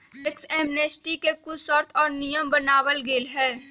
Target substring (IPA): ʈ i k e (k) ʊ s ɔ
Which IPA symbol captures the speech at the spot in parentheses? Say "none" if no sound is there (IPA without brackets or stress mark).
k